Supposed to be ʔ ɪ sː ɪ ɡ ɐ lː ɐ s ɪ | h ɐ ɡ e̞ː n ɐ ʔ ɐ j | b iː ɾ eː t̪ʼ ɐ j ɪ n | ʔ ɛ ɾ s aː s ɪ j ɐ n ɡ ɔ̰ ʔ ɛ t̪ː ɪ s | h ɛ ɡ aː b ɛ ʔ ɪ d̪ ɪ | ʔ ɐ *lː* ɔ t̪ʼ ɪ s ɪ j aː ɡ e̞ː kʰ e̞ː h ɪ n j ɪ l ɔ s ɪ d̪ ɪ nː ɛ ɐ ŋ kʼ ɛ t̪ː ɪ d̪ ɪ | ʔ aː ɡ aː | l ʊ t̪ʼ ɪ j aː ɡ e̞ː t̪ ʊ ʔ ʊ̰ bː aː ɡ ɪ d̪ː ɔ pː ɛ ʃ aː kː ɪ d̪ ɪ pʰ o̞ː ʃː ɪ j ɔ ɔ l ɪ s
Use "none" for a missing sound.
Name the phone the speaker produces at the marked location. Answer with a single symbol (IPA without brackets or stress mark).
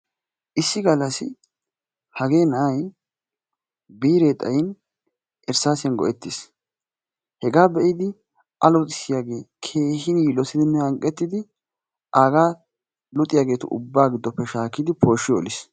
l